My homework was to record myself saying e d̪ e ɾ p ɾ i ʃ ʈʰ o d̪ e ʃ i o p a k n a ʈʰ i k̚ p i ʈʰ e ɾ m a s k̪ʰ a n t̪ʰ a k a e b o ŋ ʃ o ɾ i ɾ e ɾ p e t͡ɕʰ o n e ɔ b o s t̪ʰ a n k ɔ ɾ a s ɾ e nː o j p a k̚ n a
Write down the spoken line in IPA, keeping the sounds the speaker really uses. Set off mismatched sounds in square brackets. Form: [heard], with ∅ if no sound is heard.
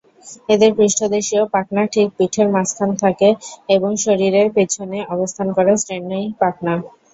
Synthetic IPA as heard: e d̪ e ɾ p ɾ i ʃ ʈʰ o d̪ e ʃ i o p a k n a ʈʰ i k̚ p i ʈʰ e ɾ m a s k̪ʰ a n t̪ʰ a k [e] e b o ŋ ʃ o ɾ i ɾ e ɾ p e t͡ɕʰ o n e ɔ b o s t̪ʰ a n k ɔ ɾ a s ɾ e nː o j p a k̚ n a